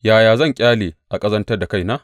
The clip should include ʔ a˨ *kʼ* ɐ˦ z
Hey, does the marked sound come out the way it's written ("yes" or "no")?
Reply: yes